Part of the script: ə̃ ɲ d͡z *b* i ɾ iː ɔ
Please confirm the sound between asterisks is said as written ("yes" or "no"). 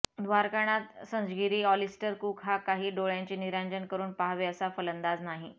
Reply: no